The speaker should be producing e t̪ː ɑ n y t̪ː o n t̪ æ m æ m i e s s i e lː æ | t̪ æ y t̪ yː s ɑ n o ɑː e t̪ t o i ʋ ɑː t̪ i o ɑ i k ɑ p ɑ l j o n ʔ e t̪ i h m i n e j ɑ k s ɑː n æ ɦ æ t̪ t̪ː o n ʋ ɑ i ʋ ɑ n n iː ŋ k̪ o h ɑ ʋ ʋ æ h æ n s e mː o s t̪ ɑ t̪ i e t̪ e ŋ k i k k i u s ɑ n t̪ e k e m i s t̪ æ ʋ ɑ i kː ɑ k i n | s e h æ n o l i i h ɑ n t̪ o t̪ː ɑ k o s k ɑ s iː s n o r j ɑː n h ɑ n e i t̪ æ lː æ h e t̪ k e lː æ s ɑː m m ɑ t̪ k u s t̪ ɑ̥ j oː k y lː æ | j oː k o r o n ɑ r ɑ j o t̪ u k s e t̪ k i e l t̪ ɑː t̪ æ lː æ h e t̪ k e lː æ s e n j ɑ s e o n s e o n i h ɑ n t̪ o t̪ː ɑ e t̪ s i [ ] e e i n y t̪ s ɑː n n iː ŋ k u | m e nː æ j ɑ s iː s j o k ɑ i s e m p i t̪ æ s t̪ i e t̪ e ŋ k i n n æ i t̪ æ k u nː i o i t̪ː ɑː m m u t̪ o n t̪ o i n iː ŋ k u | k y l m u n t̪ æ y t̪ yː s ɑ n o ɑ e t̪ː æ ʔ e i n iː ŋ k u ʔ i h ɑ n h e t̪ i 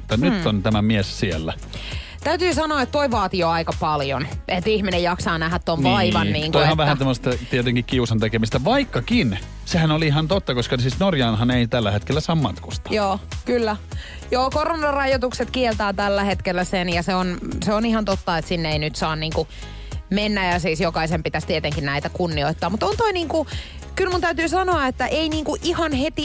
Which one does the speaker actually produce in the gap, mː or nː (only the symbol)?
nː